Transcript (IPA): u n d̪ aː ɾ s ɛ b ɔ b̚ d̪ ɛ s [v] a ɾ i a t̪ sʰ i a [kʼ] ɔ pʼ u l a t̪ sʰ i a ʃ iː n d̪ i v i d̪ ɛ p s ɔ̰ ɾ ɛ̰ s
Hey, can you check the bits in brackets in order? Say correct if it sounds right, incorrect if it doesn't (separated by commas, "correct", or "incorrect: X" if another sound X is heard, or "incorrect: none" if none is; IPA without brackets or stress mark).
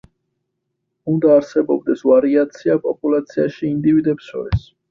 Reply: correct, incorrect: pʼ